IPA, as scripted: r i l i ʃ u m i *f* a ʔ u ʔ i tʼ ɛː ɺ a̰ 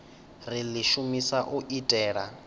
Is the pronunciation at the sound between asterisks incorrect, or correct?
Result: incorrect